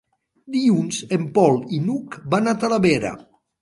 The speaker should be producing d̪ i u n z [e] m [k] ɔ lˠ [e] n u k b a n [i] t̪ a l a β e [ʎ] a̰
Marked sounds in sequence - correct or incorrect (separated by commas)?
correct, incorrect, incorrect, incorrect, incorrect